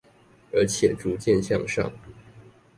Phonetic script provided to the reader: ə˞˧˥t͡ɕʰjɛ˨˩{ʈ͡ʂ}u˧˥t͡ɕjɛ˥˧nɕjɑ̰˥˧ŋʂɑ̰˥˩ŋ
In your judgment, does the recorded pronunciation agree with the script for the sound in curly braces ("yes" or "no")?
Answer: yes